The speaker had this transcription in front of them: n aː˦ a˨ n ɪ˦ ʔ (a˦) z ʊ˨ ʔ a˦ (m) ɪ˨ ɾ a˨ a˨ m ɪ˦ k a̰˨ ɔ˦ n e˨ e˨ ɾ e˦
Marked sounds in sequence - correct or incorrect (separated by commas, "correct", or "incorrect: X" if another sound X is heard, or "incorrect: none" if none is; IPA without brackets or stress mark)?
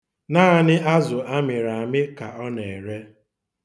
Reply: correct, correct